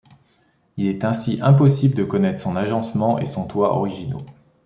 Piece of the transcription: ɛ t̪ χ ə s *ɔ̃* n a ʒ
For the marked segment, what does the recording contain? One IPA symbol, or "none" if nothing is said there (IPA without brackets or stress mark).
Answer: ɔ̃